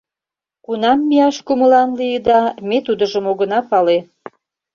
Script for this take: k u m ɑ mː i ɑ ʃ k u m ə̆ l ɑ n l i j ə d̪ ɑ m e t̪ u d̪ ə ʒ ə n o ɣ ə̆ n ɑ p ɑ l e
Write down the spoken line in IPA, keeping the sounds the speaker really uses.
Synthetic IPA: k u n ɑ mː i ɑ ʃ k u m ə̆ l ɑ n l i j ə d̪ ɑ m e t̪ u d̪ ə ʒ ə m o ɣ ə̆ n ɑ p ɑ l e